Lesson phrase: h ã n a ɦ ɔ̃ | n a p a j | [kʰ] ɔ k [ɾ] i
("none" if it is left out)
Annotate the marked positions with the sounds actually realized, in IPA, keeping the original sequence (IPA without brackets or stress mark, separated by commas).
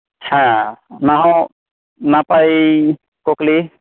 k, l